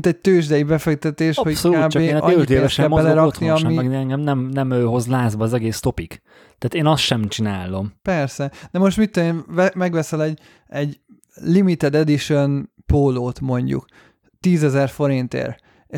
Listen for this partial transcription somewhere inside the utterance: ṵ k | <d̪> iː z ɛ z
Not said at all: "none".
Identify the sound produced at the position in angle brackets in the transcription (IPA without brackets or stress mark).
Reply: t̪